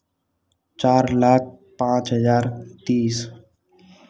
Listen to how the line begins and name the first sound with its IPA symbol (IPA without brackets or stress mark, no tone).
t͡ʃ